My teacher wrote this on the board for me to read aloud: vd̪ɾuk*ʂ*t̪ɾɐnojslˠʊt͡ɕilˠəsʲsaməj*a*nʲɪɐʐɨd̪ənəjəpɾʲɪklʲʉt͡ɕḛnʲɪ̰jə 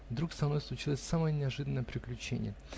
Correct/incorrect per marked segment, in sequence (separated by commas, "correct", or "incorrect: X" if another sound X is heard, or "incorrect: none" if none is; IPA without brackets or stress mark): incorrect: s, incorrect: ə